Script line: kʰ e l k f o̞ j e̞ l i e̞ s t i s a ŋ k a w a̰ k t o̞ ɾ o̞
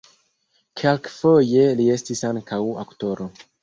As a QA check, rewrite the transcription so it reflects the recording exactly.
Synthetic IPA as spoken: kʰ e l k f o̞ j e̞ l i e̞ s t i s a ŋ k a w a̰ k t o̞ ɾ o̞